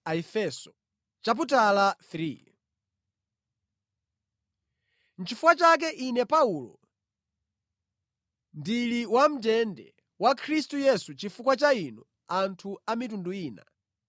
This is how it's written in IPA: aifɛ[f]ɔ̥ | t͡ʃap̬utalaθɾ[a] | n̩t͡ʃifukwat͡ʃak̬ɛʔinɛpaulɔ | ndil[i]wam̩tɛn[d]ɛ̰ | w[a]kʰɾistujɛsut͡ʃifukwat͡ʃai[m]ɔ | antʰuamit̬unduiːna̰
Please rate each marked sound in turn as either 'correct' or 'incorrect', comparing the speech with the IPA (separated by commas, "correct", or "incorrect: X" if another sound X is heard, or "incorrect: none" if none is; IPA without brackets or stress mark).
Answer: incorrect: s, incorrect: i, correct, correct, correct, incorrect: n